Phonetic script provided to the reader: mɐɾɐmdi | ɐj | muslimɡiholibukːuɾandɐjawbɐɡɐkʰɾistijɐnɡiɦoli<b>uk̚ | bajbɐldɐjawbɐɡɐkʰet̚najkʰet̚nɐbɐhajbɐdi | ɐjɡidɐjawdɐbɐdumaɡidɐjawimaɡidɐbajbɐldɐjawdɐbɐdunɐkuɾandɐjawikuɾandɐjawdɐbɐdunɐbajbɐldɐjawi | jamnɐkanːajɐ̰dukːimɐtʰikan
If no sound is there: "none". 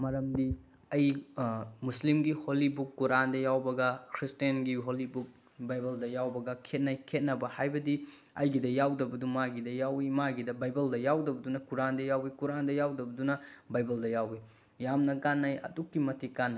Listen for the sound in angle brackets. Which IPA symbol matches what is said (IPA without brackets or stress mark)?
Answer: b